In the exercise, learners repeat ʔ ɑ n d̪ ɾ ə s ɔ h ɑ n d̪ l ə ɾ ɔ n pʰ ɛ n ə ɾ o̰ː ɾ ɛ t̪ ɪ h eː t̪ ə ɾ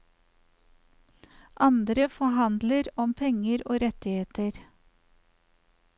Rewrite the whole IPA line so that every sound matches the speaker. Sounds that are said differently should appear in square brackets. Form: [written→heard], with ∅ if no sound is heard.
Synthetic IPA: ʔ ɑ n d̪ ɾ ə [s→f] ɔ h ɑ n d̪ l ə ɾ ɔ [n→m] pʰ ɛ [n→ŋ] ə ɾ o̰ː ɾ ɛ t̪ ɪ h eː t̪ ə ɾ